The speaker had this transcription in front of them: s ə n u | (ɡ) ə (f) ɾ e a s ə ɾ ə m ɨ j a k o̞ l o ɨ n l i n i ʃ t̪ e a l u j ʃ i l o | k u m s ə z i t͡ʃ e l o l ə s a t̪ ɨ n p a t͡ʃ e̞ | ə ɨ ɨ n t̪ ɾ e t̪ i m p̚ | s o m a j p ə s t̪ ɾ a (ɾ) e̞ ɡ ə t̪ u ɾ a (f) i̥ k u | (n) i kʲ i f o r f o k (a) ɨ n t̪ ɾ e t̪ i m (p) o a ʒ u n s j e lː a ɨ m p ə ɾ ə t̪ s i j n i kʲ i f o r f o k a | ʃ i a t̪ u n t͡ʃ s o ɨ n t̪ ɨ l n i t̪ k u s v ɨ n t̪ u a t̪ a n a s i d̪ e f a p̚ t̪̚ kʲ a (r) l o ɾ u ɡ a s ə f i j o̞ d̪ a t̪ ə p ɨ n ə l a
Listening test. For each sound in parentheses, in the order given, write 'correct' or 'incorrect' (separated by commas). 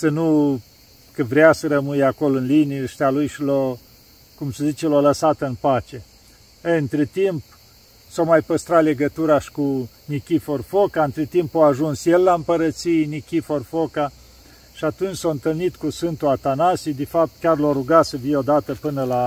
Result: incorrect, incorrect, incorrect, incorrect, correct, correct, correct, correct